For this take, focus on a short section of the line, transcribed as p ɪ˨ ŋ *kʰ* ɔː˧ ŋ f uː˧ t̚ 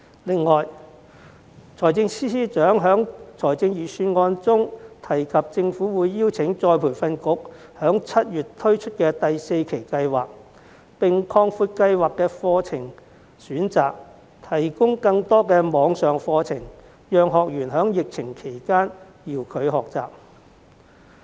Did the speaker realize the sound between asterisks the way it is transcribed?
yes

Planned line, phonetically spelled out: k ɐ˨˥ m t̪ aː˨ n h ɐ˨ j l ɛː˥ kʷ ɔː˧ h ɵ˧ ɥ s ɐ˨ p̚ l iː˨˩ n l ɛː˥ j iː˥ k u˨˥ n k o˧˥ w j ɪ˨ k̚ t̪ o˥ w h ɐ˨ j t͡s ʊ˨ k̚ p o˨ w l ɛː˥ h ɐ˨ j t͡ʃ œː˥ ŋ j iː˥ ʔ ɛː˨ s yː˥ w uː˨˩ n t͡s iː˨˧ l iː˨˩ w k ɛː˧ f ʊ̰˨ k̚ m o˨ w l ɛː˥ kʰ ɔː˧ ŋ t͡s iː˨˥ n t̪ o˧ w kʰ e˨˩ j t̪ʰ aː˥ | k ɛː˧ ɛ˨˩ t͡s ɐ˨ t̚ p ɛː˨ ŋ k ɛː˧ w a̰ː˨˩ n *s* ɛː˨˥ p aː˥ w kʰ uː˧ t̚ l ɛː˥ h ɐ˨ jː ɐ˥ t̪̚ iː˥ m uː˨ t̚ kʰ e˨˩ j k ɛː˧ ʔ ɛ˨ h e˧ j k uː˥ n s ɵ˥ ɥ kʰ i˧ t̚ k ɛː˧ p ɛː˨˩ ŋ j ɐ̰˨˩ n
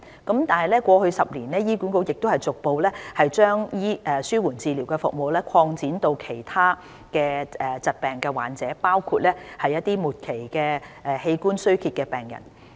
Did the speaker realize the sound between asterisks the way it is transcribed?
no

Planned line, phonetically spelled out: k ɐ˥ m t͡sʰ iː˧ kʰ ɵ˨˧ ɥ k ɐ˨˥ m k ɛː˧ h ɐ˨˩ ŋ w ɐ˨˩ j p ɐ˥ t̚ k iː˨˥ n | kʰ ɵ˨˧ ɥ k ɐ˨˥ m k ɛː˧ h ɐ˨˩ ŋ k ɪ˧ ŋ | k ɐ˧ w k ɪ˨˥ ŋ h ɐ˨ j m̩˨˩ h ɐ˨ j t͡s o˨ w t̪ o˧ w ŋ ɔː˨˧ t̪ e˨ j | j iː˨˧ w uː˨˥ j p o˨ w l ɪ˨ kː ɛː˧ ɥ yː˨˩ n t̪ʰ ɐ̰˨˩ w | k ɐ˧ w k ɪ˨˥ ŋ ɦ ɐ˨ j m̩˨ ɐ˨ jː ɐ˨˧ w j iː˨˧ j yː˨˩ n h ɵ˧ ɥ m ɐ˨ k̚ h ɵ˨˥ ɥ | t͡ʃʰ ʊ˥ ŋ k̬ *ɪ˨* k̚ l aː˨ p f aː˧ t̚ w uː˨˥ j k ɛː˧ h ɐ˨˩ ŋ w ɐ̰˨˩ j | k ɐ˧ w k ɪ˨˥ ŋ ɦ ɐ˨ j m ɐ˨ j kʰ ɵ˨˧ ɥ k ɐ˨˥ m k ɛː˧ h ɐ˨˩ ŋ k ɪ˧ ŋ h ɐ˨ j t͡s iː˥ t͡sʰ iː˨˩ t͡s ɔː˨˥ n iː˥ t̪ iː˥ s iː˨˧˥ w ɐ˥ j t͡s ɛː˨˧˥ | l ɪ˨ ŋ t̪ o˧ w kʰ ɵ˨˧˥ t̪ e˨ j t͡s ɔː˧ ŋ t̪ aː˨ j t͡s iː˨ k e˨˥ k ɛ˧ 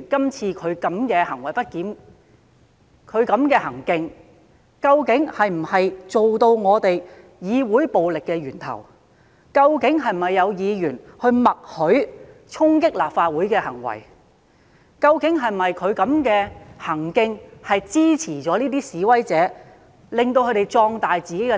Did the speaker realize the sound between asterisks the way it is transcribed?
no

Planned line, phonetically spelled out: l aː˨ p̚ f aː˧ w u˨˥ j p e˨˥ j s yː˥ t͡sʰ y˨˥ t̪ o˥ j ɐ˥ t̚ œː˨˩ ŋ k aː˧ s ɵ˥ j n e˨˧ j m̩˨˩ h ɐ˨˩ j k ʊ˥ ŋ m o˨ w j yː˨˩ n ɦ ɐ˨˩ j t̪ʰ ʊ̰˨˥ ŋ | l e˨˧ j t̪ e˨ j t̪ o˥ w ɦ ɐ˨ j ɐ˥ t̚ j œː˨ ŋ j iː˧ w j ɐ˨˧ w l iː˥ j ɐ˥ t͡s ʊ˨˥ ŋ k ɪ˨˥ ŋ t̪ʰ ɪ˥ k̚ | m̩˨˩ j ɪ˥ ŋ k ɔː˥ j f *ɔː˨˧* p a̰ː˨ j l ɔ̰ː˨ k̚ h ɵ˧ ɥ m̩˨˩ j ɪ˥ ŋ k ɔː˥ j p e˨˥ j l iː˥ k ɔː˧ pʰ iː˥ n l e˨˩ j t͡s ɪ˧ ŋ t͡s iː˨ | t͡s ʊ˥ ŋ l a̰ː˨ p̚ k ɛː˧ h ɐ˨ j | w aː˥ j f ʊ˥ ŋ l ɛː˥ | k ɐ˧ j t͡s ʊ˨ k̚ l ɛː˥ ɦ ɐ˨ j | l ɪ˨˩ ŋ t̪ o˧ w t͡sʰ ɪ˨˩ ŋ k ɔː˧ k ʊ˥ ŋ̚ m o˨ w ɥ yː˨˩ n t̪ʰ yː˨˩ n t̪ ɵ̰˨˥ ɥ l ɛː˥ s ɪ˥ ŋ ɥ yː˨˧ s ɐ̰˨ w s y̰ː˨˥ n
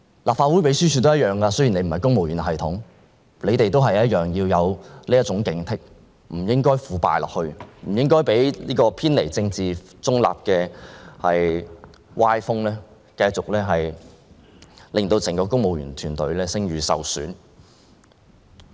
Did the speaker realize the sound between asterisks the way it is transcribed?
no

